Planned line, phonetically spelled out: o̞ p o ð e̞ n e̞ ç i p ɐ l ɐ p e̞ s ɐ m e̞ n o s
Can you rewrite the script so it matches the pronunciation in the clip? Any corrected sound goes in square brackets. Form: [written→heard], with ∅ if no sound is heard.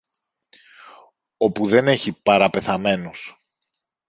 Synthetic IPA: o̞ p [o→u] ð e̞ n e̞ ç i p ɐ [l→ɾ] ɐ p e̞ [s→θ] ɐ m e̞ n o s